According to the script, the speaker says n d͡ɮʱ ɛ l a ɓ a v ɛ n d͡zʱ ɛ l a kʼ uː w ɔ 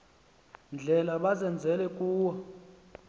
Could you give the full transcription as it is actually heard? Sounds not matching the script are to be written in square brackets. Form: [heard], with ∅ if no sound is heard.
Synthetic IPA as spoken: n d͡ɮʱ ɛ l a ɓ a [z] ɛ n d͡zʱ ɛ l [ɛ] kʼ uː w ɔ